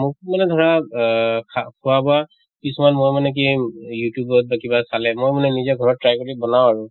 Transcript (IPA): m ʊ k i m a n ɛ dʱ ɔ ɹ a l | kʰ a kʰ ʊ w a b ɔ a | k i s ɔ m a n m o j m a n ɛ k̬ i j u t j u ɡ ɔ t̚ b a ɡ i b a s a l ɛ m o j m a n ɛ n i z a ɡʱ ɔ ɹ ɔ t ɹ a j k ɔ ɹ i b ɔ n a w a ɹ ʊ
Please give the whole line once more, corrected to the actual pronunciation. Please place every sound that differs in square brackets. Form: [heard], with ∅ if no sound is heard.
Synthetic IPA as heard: m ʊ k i m a n ɛ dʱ ɔ ɹ a [∅] | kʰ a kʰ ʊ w a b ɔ a | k i s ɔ m a n m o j m a n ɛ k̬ i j u t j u [b] ɔ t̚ b a [k] i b a s a l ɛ m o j m a n ɛ n i z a ɡʱ ɔ ɹ ɔ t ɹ a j k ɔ ɹ i b ɔ n a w a ɹ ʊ

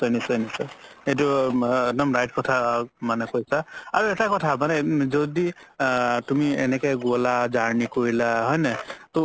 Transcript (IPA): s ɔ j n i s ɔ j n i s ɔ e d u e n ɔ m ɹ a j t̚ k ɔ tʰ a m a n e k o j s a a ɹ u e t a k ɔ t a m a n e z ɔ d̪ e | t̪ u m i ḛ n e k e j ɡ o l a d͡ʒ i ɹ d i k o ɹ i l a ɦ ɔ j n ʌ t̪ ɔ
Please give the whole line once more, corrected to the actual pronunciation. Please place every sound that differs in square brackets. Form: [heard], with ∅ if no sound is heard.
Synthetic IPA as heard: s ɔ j n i s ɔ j n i s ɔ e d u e n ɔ m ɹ a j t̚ k ɔ tʰ a m a n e k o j s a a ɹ u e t a k ɔ [tʰ] a m a n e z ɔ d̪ [i] | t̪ u m i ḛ n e k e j ɡ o l a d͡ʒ [a] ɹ [n] i k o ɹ i l a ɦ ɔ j n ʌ t̪ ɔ

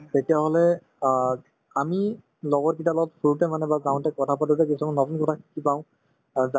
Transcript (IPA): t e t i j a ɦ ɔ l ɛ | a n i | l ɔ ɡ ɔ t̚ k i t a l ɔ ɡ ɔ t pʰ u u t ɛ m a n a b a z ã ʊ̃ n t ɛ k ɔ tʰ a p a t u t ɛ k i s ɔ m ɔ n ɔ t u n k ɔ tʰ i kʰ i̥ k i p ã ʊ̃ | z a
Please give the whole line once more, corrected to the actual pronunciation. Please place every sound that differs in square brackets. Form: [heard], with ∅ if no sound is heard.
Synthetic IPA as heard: t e t i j a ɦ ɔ l ɛ | a [m] i | l ɔ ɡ ɔ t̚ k i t a l ɔ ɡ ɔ t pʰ u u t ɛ m a n [ɛ] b a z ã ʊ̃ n t ɛ k ɔ tʰ a p a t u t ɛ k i s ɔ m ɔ n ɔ t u n k ɔ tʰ [a] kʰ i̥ k i p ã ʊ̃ | z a

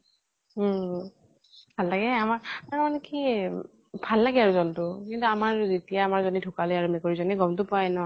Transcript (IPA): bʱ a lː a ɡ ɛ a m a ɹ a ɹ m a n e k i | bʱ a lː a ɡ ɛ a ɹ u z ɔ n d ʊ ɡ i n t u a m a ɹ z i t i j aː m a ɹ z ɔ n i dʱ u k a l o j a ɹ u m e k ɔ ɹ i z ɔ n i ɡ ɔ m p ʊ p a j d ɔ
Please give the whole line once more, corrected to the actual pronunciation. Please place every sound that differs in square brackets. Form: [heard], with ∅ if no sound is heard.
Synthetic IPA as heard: bʱ a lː a ɡ ɛ a m a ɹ a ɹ m a n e k i | bʱ a lː a ɡ ɛ a ɹ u z ɔ n [t] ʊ [k] i n t u a m a ɹ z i t i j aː m a ɹ z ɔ n i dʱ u k a l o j a ɹ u m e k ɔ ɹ i z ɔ n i ɡ ɔ m [t] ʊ p a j [n] ɔ

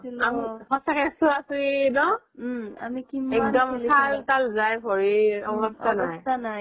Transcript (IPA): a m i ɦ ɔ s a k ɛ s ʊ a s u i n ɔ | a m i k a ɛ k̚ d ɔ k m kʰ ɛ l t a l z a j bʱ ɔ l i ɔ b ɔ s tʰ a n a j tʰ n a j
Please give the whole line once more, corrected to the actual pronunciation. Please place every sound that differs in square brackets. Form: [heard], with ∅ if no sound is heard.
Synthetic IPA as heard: a m i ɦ ɔ s a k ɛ s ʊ a s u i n ɔ | a m i k [i] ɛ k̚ d ɔ [∅] m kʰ [a] l t a l z a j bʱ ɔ [ɹ] i ɔ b ɔ s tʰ a n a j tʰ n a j

